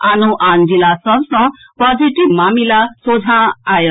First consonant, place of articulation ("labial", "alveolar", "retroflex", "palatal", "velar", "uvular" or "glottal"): alveolar